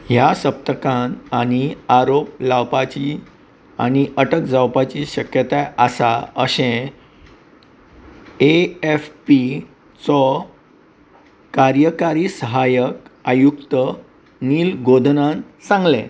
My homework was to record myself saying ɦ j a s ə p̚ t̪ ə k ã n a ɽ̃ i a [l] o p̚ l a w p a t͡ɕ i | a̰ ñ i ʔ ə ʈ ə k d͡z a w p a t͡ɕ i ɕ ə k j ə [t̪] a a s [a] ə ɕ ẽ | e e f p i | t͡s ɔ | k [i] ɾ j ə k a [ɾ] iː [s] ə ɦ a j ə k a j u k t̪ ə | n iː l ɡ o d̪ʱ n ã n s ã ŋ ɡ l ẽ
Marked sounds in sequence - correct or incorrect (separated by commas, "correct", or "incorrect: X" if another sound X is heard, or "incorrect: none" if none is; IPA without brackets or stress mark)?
incorrect: ɾ, correct, correct, incorrect: a, correct, correct